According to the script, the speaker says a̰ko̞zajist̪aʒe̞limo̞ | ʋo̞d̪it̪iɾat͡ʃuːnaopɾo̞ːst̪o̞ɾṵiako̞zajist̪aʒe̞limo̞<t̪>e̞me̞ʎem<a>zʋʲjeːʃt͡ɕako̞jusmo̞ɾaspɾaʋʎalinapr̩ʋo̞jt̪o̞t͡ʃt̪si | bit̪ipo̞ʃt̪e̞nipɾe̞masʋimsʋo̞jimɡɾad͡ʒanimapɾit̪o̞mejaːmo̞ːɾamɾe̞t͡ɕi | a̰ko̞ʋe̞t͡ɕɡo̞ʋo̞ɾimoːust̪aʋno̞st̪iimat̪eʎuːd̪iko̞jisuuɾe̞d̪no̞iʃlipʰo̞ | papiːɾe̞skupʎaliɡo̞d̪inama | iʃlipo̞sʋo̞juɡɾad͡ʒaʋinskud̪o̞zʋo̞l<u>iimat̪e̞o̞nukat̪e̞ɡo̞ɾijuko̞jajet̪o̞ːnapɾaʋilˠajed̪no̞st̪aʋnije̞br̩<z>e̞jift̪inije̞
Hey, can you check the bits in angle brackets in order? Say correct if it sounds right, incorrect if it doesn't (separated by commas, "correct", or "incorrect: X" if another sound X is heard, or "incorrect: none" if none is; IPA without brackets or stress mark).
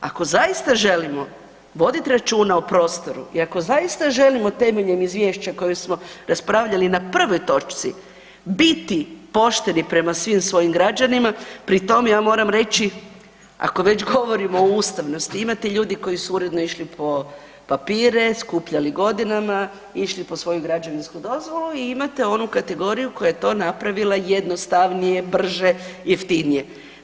correct, incorrect: i, correct, incorrect: ʒ